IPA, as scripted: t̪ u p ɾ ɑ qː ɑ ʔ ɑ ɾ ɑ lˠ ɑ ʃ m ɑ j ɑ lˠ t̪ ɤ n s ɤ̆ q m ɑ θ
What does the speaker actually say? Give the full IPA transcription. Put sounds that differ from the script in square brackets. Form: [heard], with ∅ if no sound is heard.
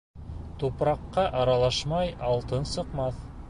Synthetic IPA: t̪ u p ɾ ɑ qː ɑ ʔ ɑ ɾ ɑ lˠ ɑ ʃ m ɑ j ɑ lˠ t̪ ɤ n s ɤ̆ q m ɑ θ